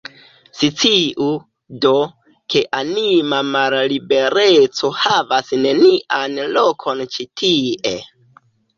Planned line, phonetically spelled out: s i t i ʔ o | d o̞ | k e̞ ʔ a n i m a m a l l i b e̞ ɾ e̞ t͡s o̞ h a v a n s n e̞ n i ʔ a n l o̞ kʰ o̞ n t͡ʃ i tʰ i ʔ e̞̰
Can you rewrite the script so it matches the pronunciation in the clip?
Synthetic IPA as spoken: s i t͡s i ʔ u | d o̞ | k e̞ ʔ a n i m a m a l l i b e̞ ɾ e̞ t͡s o̞ h a v a s n e̞ n i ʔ a n l o̞ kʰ o̞ n t͡ʃ i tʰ i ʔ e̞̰